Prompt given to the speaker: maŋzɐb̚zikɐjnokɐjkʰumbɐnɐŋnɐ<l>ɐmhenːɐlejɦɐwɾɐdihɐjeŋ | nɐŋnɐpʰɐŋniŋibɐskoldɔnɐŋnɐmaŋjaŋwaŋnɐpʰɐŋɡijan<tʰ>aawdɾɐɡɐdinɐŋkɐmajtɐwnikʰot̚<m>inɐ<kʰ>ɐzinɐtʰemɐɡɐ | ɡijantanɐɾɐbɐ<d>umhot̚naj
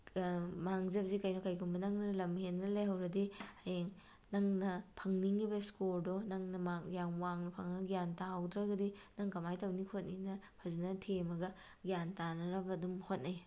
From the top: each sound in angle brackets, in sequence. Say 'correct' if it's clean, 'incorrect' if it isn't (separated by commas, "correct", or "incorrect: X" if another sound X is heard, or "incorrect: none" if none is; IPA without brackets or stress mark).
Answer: correct, incorrect: t, incorrect: n, incorrect: pʰ, correct